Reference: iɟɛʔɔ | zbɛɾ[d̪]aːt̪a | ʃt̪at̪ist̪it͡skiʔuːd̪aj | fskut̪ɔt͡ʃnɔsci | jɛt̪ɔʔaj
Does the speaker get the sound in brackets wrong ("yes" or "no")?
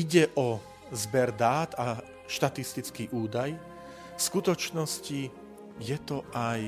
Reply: no